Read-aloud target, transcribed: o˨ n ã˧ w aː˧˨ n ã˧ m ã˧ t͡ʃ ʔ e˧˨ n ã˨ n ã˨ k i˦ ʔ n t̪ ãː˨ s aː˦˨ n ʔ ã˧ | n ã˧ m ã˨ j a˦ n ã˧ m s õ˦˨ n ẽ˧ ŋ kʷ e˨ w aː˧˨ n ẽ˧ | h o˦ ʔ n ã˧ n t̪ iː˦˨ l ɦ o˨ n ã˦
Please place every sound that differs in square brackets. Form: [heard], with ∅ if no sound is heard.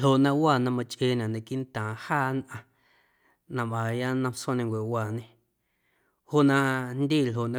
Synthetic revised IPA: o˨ n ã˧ w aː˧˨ n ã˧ m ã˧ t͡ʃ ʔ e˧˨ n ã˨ n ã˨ k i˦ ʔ n t̪ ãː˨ [h] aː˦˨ n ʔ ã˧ | n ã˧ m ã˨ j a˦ n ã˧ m s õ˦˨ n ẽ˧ ŋ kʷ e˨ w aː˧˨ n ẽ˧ | h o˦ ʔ n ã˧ n [d̪] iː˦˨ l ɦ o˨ n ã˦